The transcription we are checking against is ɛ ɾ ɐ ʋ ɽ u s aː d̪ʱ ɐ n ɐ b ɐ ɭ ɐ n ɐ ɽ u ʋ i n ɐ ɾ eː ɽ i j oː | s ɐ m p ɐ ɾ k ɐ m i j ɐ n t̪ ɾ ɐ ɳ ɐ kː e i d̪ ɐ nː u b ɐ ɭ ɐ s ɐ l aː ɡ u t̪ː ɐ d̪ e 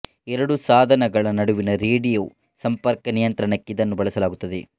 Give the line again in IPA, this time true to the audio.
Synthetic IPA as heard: ɛ ɾ ɐ ɽ u s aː d̪ʱ ɐ n ɐ ɡ ɐ ɭ ɐ n ɐ ɽ u ʋ i n ɐ ɾ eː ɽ i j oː | s ɐ m p ɐ ɾ k ɐ n i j ɐ n t̪ ɾ ɐ ɳ ɐ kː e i d̪ ɐ nː u b ɐ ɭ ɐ s ɐ l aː ɡ u t̪ː ɐ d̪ e